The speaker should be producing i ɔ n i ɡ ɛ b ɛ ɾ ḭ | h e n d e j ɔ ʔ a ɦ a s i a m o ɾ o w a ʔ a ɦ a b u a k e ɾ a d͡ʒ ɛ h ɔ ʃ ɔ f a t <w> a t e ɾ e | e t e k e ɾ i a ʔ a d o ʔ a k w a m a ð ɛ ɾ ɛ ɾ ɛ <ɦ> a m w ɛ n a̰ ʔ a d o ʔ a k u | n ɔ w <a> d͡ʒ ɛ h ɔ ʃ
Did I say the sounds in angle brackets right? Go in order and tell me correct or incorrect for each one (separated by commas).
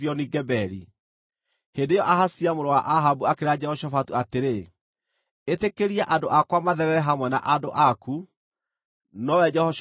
incorrect, correct, incorrect